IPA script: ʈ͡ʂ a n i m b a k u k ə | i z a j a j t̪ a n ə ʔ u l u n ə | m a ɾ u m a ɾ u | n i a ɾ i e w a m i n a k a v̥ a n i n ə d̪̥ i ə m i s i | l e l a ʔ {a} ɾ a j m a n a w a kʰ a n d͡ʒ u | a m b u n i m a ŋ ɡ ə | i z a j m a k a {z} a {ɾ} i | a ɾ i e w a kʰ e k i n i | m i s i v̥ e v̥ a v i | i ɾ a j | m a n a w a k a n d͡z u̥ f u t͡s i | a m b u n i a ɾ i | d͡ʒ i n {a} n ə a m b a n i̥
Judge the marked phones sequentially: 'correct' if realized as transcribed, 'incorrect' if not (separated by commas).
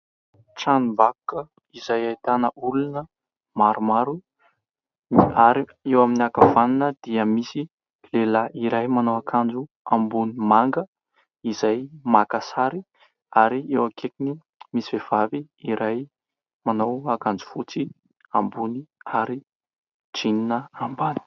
incorrect, incorrect, correct, incorrect